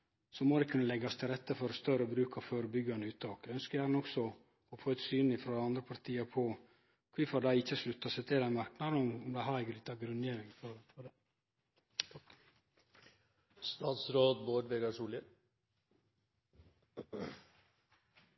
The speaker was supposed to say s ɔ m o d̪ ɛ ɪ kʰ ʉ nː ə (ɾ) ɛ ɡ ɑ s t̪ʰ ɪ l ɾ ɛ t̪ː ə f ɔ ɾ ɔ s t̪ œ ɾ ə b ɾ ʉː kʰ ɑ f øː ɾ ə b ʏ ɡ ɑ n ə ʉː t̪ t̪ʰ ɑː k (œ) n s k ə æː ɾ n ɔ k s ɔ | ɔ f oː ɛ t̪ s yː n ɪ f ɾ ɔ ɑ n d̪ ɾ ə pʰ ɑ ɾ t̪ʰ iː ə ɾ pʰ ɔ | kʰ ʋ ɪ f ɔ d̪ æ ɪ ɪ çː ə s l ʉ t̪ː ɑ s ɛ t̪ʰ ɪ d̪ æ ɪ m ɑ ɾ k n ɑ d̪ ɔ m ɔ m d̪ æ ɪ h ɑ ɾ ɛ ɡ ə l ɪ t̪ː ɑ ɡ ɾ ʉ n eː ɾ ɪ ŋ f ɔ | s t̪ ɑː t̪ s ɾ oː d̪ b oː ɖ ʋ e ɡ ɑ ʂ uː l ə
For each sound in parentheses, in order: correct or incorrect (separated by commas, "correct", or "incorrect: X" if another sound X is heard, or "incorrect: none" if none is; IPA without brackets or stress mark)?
incorrect: l, correct